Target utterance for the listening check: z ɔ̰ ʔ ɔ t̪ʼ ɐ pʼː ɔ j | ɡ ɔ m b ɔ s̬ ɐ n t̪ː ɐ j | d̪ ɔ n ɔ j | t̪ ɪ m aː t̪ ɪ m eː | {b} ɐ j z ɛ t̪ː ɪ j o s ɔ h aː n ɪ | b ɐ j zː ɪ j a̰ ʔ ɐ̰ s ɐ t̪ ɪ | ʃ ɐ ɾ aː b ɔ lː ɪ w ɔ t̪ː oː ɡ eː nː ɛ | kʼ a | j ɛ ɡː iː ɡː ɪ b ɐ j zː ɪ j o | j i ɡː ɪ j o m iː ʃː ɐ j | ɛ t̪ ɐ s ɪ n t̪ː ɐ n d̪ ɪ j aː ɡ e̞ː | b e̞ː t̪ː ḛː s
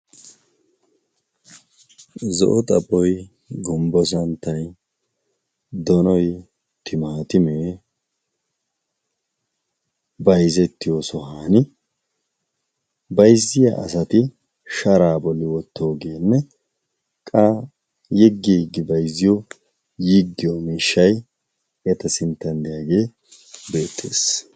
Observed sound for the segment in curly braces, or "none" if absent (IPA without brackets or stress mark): b